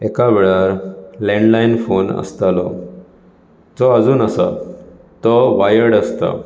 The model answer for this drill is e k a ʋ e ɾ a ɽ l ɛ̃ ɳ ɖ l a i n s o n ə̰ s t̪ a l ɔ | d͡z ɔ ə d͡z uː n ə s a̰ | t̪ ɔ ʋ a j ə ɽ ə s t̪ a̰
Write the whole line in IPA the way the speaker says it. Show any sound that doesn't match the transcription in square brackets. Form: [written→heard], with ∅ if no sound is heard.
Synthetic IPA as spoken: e k a ʋ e [ɾ→ɭ] a [ɽ→ɾ] l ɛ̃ ɳ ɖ l a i n [s→f] o n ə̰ s t̪ a l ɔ | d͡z ɔ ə d͡z uː n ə s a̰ | t̪ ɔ ʋ a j ə ɽ ə s t̪ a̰